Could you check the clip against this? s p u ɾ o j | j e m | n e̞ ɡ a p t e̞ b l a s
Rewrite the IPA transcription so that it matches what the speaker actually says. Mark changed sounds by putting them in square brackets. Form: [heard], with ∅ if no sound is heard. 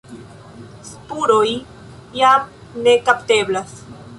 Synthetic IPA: s p u ɾ o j | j [a] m | n e̞ [k] a p t e̞ b l a s